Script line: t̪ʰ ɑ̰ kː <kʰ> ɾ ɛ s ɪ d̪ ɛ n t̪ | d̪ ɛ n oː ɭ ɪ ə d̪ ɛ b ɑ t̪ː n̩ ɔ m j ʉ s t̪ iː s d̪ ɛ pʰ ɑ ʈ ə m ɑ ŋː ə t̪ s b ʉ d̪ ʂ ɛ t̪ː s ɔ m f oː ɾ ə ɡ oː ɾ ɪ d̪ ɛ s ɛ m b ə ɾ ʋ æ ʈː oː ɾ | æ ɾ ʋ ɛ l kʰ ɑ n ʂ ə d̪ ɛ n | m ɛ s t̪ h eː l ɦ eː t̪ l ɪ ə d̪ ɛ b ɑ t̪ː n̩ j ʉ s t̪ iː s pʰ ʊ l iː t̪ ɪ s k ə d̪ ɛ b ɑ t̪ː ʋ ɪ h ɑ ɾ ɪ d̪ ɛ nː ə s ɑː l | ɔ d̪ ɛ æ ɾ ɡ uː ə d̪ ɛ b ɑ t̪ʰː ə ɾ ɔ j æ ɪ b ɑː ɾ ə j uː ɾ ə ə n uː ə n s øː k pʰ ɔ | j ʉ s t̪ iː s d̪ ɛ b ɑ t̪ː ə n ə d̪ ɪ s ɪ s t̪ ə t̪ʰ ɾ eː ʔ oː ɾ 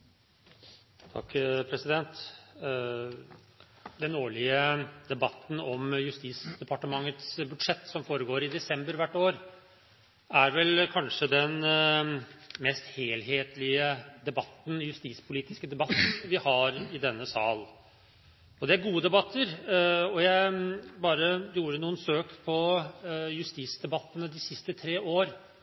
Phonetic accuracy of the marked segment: incorrect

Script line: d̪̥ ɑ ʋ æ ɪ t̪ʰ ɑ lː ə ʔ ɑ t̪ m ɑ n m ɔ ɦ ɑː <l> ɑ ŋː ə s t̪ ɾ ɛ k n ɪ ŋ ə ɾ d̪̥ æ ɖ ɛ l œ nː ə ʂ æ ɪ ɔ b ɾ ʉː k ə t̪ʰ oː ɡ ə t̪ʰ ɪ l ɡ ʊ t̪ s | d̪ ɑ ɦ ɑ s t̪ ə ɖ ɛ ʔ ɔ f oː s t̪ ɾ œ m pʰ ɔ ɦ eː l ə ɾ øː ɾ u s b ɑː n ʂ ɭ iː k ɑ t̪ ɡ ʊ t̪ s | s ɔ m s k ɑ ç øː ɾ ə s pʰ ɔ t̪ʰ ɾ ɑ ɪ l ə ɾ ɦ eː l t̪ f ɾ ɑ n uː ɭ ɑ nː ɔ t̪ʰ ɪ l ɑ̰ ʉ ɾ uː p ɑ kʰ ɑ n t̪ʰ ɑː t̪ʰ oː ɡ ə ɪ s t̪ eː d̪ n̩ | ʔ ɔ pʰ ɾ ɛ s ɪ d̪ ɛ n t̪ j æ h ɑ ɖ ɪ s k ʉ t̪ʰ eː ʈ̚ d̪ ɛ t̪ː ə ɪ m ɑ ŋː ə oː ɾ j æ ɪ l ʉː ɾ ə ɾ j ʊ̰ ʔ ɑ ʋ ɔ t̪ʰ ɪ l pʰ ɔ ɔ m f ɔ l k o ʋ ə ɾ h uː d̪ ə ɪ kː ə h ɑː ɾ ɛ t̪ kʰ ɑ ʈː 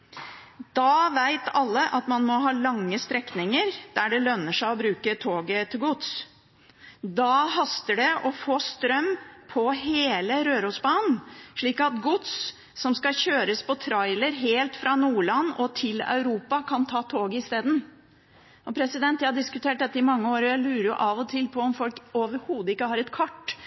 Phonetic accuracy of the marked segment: correct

